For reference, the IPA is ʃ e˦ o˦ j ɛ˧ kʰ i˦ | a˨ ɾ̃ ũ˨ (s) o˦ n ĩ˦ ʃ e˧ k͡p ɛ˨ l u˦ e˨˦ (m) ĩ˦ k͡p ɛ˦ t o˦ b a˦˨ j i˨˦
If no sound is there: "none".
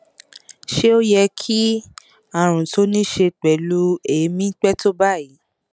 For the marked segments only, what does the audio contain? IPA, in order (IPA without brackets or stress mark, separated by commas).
t, m